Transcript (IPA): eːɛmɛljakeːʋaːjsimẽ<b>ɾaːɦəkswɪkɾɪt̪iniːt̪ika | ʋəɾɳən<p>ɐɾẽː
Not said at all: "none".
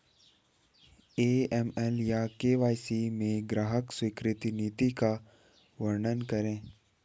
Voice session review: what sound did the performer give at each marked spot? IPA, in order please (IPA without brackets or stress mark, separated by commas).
ɡ, k